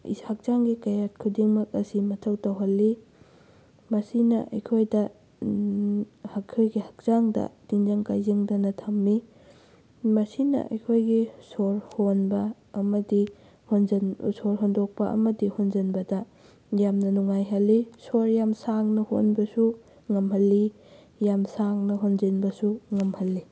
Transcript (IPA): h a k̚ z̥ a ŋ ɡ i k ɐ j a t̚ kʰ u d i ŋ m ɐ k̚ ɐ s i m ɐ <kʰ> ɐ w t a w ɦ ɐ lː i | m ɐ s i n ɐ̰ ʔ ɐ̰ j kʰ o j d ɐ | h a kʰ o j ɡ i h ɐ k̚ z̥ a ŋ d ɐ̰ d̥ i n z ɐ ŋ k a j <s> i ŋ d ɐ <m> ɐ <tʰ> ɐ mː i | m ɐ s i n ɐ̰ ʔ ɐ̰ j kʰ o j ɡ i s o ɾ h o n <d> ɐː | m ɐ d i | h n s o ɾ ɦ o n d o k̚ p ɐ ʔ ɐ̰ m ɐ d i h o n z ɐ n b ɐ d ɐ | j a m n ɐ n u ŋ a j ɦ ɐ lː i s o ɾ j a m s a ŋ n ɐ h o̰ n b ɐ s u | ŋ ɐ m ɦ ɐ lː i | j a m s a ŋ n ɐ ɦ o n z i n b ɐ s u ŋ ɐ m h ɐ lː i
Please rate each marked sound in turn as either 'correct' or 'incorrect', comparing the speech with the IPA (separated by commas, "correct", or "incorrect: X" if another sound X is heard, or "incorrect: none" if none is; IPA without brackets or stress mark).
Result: incorrect: tʰ, incorrect: z, incorrect: n, correct, incorrect: b